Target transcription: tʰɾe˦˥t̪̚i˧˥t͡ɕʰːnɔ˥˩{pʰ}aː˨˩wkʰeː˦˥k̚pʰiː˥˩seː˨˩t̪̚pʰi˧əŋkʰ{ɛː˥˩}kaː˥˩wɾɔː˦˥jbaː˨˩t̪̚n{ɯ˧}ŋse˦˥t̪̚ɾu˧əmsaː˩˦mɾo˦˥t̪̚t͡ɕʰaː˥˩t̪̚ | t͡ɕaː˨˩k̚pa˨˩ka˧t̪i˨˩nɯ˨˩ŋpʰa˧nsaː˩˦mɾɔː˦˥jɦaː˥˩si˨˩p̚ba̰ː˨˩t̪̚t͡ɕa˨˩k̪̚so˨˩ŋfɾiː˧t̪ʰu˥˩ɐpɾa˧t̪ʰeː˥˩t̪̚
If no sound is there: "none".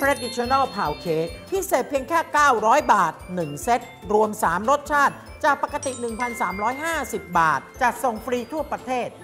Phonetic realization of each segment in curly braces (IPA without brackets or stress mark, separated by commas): pʰ, ɛː˥˩, ɯ˨˩